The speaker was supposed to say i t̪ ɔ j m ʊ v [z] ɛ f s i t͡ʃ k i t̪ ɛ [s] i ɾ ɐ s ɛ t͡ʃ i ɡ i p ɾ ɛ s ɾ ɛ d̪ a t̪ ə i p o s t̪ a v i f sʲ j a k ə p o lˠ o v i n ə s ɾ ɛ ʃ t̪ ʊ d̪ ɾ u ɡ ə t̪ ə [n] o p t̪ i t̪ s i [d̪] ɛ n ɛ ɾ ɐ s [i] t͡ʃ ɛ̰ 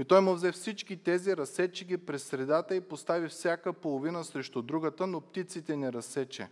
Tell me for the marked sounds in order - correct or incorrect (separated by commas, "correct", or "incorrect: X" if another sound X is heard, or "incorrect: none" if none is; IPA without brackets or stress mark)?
correct, incorrect: z, correct, incorrect: t̪, incorrect: ɛ